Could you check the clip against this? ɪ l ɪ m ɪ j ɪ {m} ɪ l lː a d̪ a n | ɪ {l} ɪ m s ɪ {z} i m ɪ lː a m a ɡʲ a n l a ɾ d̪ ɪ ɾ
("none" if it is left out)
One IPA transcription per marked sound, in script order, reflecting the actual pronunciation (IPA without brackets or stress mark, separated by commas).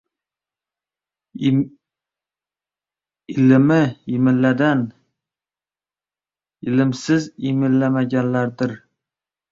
m, l, z